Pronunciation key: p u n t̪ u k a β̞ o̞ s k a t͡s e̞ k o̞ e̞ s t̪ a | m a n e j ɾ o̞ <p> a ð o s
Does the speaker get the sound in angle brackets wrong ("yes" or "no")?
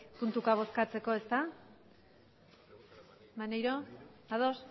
yes